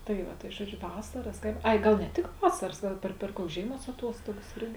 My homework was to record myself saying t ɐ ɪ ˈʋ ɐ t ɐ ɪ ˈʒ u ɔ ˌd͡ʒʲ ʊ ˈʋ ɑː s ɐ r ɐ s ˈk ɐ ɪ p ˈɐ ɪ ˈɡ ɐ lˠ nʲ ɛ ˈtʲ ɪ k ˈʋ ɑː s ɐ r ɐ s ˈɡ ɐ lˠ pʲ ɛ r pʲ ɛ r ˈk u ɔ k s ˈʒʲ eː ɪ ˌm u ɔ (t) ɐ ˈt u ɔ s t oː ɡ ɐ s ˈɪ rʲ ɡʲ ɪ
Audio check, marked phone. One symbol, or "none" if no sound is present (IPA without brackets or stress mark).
s